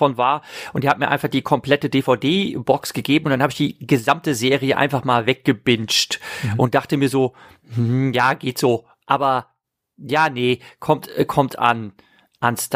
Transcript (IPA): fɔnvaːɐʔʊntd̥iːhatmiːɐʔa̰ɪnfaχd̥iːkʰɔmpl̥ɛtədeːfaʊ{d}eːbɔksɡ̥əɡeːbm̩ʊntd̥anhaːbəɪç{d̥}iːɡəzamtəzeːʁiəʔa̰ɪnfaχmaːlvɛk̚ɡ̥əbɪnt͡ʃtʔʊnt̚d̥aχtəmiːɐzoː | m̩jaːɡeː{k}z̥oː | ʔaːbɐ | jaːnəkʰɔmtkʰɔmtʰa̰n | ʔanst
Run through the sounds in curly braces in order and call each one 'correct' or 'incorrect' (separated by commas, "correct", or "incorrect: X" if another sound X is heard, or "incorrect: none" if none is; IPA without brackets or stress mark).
correct, correct, incorrect: t